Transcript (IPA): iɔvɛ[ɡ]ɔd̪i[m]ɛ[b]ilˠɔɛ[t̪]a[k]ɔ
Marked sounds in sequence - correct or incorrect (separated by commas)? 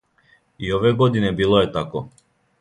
correct, incorrect, correct, correct, correct